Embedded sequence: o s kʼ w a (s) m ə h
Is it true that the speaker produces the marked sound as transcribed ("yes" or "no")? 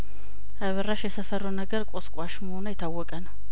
no